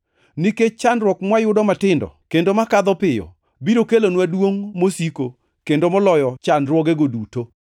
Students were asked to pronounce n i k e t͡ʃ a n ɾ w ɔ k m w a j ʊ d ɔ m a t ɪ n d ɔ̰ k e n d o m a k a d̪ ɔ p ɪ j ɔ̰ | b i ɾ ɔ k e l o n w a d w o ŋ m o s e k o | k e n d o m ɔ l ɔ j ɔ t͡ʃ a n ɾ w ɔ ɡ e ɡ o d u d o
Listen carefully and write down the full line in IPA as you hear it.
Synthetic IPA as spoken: n i k e t͡ʃ a n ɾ w ɔ k m w a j ʊ d ɔ m a t ɪ n d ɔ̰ k e n d o m a k a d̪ ɔ p ɪ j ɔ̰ | b i ɾ o k e l o n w a d w o ŋ m o s i k o | k e n d o m ɔ l ɔ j ɔ t͡ʃ a n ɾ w ɔ ɡ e ɡ o d u t o